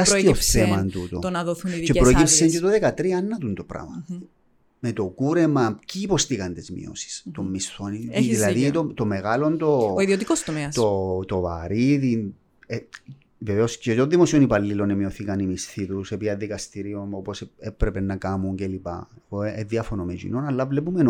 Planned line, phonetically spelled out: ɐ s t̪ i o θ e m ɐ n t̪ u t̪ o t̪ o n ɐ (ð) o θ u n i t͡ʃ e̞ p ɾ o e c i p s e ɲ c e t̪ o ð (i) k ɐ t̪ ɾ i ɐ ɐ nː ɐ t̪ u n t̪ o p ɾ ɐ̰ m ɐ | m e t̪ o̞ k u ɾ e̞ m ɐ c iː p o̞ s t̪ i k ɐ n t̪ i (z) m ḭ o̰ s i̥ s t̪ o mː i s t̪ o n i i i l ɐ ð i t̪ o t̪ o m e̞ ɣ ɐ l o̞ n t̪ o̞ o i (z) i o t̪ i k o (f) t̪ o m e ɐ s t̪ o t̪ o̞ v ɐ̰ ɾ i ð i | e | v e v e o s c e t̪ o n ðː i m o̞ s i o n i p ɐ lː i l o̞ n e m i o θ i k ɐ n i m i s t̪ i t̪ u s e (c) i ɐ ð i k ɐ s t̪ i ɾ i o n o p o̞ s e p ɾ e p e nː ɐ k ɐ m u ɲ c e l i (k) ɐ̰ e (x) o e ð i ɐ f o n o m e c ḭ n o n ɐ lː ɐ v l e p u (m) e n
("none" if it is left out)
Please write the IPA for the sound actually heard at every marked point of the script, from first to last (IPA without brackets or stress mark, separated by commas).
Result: ð, e, z, ð, s, p, p, ɣ, m